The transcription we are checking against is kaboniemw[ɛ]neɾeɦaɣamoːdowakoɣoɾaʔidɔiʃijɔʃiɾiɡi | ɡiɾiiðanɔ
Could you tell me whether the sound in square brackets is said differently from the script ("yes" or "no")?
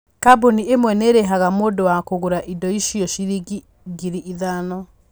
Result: no